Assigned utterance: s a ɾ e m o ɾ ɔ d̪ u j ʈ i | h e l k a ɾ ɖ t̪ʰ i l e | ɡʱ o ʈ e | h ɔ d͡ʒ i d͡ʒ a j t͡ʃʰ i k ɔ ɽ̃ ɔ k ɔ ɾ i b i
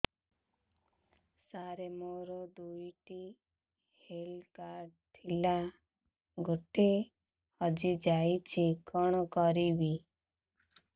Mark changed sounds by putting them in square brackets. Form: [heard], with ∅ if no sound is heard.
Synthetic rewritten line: s a ɾ e m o ɾ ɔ d̪ u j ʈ i | h e l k a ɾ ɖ t̪ʰ i l [a] | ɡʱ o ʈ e | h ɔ d͡ʒ i d͡ʒ a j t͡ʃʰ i k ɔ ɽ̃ ɔ k ɔ ɾ i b i